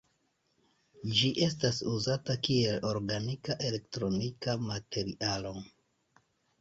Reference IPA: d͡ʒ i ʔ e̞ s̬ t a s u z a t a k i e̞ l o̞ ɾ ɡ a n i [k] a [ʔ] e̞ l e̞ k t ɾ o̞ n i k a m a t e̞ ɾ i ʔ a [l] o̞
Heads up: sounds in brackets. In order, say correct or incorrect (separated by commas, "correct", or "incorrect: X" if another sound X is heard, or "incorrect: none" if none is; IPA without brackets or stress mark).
correct, correct, correct